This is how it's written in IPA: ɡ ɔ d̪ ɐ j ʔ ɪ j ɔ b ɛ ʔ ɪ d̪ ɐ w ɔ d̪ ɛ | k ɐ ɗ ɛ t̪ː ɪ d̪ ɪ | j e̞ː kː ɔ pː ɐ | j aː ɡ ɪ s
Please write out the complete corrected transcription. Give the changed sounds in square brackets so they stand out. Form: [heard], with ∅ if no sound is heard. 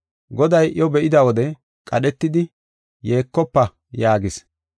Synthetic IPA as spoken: ɡ ɔ d̪ ɐ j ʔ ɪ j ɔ b ɛ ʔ ɪ d̪ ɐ w ɔ d̪ ɛ | [kʼ] ɐ ɗ ɛ t̪ː ɪ d̪ ɪ | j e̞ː kː ɔ pː ɐ | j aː ɡ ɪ s